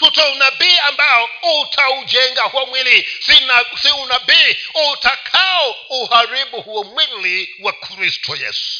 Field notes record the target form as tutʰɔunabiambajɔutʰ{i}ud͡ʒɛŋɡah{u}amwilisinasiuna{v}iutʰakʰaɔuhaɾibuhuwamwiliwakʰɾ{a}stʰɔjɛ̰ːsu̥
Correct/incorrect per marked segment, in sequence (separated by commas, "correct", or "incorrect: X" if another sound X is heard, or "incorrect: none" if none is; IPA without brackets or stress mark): incorrect: a, incorrect: w, incorrect: b, incorrect: i